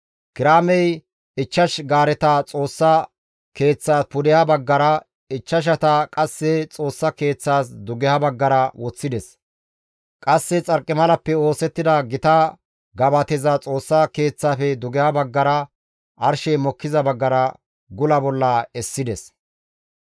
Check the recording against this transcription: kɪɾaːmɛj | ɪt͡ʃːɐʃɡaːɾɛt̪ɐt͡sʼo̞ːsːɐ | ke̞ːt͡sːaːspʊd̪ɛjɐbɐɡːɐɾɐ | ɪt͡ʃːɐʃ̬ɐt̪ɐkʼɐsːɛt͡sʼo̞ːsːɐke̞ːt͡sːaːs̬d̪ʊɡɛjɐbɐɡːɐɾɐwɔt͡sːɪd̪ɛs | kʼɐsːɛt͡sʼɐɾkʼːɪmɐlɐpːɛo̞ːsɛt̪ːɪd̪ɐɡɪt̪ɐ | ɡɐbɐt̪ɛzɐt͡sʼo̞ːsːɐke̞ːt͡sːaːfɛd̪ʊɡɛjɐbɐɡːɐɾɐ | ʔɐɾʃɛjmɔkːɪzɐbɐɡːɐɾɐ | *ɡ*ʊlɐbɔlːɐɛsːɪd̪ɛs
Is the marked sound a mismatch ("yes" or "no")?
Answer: no